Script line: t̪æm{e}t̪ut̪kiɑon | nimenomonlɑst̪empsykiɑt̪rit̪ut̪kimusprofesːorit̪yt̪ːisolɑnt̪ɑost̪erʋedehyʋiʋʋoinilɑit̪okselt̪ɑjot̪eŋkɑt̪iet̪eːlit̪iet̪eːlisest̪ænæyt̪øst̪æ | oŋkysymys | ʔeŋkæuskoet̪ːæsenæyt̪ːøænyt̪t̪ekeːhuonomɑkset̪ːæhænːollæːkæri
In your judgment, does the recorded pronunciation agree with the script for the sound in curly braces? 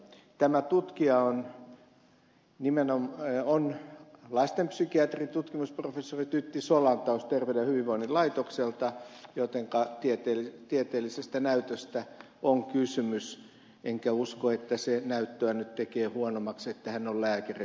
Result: no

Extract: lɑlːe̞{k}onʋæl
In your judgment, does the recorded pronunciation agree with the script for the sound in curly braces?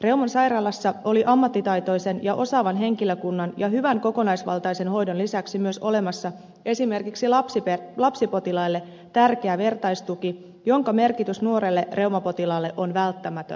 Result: no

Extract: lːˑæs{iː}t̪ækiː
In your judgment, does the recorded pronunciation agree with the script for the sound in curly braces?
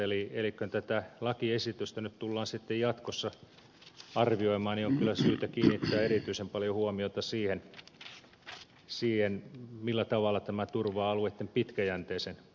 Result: no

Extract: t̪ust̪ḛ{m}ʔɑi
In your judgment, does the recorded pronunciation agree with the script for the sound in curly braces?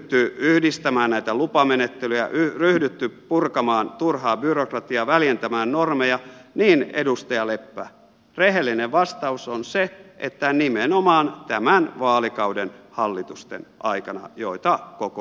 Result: no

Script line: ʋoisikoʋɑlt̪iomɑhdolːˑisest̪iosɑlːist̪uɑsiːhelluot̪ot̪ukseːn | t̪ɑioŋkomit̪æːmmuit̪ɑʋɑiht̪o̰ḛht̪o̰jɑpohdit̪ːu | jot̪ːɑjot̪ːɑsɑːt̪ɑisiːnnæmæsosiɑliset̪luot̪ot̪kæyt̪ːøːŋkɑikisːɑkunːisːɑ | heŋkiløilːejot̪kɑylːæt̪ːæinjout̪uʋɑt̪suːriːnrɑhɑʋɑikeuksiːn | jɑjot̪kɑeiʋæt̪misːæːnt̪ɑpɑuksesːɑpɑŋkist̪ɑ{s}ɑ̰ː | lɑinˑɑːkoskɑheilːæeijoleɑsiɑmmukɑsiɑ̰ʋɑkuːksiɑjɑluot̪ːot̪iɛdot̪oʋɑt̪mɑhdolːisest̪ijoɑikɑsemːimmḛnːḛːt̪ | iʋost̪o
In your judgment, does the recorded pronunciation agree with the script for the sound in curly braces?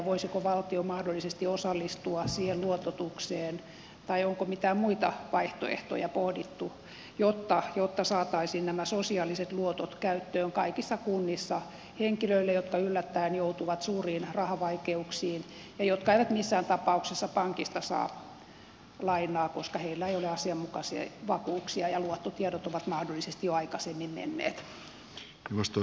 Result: yes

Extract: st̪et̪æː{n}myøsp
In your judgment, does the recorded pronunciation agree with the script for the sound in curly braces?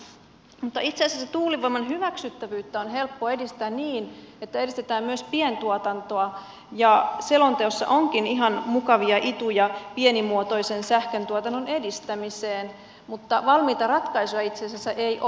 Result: no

